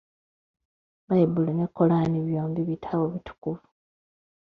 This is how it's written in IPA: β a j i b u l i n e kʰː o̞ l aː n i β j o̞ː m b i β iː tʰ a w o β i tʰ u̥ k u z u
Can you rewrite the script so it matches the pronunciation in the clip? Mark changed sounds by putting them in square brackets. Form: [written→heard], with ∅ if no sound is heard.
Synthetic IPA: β a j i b u l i n e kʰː o̞ l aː n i β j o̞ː m b i β [iː→i] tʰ a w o β i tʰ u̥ k u [z→v] u

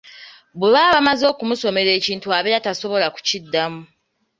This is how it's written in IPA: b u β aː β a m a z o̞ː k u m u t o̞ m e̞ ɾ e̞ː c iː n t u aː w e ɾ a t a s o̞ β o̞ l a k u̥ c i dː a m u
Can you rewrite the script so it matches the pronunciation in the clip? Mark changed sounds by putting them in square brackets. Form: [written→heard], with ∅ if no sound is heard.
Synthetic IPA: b u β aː β a m a z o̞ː k u m u [t→s] o̞ m e̞ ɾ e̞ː c iː n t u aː [w→β] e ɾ a t a s o̞ β o̞ l a k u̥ c i dː a m u

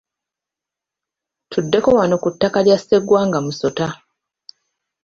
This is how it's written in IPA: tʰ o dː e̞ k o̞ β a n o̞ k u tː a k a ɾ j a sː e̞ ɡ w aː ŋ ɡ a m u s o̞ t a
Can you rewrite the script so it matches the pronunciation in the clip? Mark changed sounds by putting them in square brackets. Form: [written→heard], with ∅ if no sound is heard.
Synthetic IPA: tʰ [o→u] dː e̞ k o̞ [β→w] a n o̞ k u tː a k a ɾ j a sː e̞ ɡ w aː ŋ ɡ a m u s o̞ t a

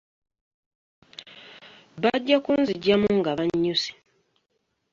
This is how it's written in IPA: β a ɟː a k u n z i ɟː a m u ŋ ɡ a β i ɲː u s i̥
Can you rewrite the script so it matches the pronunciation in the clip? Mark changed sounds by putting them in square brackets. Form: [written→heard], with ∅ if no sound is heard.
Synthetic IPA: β a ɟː a k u n z i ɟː a m u ŋ ɡ a β [i→a] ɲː u s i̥

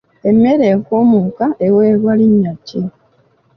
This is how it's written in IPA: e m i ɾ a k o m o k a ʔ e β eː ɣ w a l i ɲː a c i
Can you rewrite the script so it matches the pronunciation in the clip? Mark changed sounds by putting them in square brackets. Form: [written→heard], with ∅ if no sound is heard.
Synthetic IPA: e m [i→e] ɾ [a→e] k o m [o→u] k a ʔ e [β→w] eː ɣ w a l i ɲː a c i

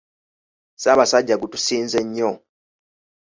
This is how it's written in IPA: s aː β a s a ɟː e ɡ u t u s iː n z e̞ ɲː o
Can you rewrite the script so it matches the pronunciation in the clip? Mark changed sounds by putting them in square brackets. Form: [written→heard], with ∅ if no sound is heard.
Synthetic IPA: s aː β a s a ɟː [e→a] ɡ u t u s iː n z e̞ ɲː o

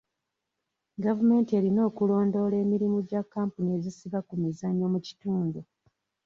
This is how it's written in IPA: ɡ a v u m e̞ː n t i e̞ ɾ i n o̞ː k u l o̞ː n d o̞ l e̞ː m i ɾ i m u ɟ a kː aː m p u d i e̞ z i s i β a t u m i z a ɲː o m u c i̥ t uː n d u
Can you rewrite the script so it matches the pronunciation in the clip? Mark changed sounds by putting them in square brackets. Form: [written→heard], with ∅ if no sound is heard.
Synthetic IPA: ɡ a v u m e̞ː n t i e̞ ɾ i n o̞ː k u l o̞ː n d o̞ l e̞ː m i ɾ i m u ɟ a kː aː m p u [d→n] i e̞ z i s i β a [t→k] u m i z a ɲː o m u c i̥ t uː n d u

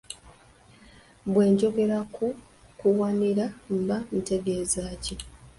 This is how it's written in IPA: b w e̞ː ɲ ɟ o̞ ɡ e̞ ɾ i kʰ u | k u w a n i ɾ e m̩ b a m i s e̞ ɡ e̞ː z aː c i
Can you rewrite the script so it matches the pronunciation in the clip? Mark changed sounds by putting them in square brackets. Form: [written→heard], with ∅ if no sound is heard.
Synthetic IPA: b w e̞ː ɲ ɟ o̞ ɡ e̞ ɾ [i→a] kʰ u | k u w a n i ɾ [e→a] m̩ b a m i [s→t] e̞ ɡ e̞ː z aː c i

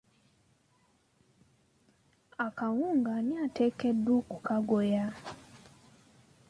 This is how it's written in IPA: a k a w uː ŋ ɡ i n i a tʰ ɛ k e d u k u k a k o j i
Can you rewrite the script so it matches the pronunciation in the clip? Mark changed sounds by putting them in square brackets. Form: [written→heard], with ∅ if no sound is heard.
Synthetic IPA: a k a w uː ŋ ɡ [i→a] n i a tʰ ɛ k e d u k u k a [k→ɡ] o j [i→a]

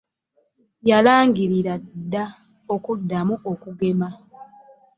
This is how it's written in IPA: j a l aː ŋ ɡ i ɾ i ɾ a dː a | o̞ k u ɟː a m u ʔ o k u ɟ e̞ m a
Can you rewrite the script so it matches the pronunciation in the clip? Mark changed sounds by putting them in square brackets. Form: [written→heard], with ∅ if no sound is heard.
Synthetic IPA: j a l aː ŋ ɡ i ɾ i ɾ a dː a | o̞ k u [ɟː→dː] a m u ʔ o k u [ɟ→ɡ] e̞ m a

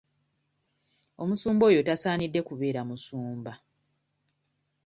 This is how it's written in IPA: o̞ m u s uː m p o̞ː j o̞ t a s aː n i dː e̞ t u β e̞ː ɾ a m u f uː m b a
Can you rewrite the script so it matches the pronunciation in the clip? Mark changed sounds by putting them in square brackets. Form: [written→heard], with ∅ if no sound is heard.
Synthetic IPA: o̞ m u s uː m [p→b] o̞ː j o̞ t a s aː n i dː e̞ [t→k] u β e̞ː ɾ a m u [f→s] uː m b a

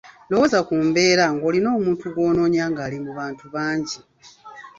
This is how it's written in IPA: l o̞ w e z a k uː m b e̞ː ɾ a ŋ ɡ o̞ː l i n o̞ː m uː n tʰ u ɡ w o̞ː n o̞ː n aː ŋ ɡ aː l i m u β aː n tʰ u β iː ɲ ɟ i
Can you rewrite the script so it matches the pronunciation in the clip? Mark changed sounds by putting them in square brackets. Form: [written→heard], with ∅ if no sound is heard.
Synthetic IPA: l o̞ w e z a k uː m b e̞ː ɾ a ŋ ɡ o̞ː l i n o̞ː m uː n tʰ u ɡ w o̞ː n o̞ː [n→ɲ] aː ŋ ɡ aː l i m u β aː n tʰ u β [iː→aː] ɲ ɟ i

